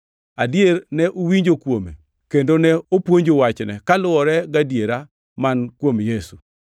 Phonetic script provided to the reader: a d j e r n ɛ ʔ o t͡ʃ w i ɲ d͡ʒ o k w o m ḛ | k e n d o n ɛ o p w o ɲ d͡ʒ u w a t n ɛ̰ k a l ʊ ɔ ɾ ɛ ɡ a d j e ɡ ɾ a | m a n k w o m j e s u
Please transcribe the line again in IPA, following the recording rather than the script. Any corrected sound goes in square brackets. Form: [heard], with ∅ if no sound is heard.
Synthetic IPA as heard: a d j e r n ɛ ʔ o [∅] w i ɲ d͡ʒ o k w o m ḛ | k e n d o n ɛ o p w o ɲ d͡ʒ [o] w a [t͡ʃ] n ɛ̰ k a l ʊ ɔ ɾ ɛ ɡ a d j e [∅] ɾ a | m a n k w o m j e s u